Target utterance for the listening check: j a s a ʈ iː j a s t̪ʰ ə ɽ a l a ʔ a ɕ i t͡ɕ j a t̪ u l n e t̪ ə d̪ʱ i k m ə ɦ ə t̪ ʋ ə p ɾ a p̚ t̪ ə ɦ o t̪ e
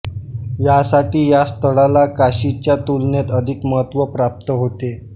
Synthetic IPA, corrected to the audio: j a s a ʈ iː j a s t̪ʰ ə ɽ a l a k a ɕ i t͡ɕ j a t̪ u l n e t̪ ə d̪ʱ i k m ə ɦ ə t̪ ʋ ə p ɾ a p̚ t̪ ə ɦ o t̪ e